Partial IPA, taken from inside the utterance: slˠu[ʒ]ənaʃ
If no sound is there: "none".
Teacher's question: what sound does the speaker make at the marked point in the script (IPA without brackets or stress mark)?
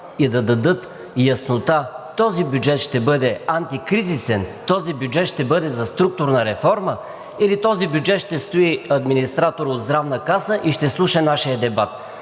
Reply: ʃ